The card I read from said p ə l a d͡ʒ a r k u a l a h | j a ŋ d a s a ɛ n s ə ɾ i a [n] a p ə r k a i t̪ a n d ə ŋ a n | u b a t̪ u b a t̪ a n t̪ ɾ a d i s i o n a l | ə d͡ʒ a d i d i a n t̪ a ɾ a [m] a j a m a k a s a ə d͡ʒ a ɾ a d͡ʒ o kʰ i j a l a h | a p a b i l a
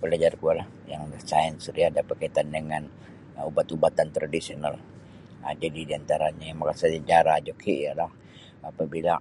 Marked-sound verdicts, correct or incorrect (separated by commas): incorrect, incorrect